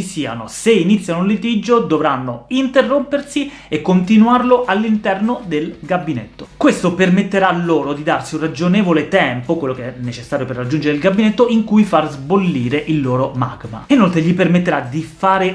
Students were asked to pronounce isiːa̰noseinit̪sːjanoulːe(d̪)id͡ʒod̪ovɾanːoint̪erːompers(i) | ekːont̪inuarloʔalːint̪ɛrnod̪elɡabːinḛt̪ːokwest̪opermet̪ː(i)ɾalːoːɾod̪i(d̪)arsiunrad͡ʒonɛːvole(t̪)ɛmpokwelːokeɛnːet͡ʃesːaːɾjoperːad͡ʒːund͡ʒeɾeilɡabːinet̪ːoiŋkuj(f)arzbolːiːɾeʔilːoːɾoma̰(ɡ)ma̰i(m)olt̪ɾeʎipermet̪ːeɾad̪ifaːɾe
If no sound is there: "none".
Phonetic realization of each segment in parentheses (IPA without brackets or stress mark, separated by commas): t̪, i, e, d̪, t̪, f, ɡ, n